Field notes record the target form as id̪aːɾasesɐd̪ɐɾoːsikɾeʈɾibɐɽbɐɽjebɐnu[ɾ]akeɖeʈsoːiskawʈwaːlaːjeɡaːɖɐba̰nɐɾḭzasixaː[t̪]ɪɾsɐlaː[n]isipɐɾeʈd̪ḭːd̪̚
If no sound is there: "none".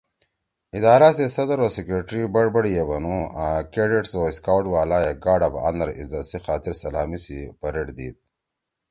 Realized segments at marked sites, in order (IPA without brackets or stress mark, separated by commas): none, t̪, m